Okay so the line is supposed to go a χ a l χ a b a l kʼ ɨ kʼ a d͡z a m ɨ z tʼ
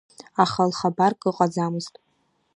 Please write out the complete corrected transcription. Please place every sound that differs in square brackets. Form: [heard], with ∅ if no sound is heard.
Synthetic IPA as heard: a χ a l χ a b a [r] kʼ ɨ [qʼ] a d͡z a m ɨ z tʼ